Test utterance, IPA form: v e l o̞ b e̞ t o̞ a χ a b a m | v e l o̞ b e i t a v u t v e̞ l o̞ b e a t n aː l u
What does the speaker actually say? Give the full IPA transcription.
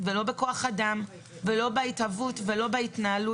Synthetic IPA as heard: v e l o̞ b e̞ k o̞ a χ a d a m | v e l o̞ b e i t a v u t v e̞ l o̞ b e i t n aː l u